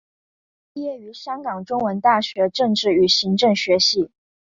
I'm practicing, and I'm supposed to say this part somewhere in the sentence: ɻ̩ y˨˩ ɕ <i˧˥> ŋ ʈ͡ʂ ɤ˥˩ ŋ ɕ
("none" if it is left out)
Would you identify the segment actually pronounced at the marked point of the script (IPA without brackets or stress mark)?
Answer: i˧˥